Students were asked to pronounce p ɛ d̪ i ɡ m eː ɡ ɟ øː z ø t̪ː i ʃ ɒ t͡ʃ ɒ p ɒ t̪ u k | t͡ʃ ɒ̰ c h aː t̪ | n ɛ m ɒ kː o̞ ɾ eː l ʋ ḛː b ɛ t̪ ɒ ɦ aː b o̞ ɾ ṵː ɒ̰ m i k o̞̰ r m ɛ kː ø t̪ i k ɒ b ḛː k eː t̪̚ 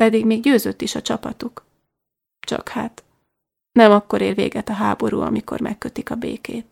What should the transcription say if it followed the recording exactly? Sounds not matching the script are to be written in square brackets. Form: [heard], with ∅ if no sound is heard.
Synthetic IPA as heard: p ɛ d̪ i ɡ m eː ɡ ɟ øː z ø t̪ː i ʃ ɒ t͡ʃ ɒ p ɒ t̪ u k | t͡ʃ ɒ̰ [k] h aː t̪ | n ɛ m ɒ kː o̞ ɾ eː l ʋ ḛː [ɡ] ɛ t̪ ɒ ɦ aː b o̞ ɾ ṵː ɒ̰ m i k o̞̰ r m ɛ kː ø t̪ i k ɒ b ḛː k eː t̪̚